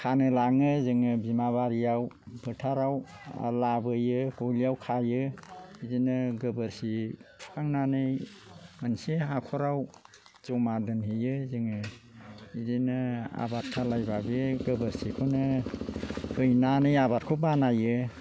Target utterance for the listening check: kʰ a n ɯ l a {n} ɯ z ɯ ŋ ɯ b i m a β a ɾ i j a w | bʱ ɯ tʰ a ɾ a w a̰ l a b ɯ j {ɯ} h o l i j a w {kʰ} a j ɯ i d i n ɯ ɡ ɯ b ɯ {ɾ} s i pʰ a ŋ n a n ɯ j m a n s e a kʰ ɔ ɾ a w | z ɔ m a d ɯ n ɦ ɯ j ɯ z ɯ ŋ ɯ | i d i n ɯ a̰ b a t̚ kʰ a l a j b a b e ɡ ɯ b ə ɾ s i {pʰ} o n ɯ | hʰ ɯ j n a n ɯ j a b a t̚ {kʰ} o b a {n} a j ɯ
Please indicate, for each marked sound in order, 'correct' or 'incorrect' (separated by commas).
incorrect, correct, correct, correct, incorrect, correct, correct